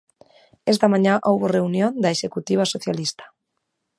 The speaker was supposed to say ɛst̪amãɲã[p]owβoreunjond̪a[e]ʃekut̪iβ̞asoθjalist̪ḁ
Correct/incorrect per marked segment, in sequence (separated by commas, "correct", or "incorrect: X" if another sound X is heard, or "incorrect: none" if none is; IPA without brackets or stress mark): incorrect: ʔ, correct